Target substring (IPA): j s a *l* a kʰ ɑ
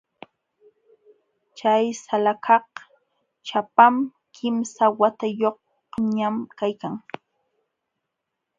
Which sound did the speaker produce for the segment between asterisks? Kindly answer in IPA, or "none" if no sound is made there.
l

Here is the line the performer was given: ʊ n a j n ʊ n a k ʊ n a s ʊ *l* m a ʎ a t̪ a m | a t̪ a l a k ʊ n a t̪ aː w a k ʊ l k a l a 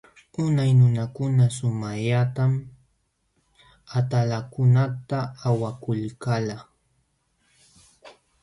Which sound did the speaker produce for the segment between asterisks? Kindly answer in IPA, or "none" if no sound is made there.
none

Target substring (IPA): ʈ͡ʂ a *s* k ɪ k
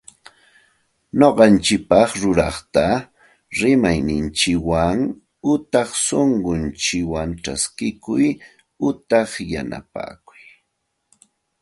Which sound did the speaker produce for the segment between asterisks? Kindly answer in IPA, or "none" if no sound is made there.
s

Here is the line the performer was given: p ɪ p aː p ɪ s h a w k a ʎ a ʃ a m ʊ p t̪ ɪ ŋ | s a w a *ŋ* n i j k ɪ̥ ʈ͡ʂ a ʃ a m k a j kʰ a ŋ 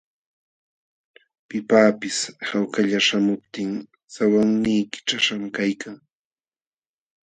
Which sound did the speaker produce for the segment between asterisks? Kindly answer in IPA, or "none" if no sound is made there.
ŋ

